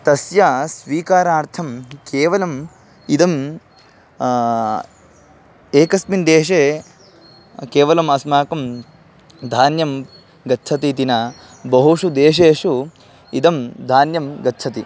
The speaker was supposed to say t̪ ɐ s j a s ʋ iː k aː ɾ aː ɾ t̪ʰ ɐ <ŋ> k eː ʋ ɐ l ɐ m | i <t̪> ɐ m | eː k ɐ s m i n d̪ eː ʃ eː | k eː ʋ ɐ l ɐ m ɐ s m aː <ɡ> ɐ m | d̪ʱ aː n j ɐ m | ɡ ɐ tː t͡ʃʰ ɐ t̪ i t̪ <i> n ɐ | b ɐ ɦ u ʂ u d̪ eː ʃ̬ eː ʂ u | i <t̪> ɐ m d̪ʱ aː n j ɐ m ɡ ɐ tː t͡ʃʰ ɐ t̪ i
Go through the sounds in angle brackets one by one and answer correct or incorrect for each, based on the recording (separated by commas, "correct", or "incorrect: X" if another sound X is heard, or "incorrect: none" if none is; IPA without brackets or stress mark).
incorrect: m, incorrect: d̪, incorrect: k, correct, incorrect: d̪